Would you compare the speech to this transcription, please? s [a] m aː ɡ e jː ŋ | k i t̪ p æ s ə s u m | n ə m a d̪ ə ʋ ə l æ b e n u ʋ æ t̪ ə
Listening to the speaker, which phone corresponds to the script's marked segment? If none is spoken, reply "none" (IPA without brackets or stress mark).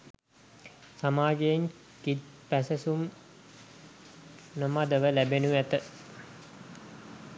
a